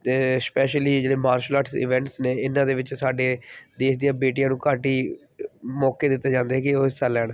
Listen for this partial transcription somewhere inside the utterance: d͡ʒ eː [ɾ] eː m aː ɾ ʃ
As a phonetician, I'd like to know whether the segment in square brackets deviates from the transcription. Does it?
yes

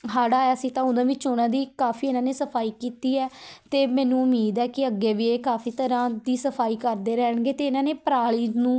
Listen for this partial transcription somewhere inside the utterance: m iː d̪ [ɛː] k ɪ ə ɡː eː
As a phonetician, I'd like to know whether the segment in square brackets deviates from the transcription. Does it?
no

